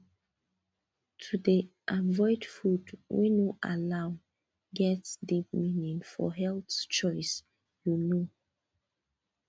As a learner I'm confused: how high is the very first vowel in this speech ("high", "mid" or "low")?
high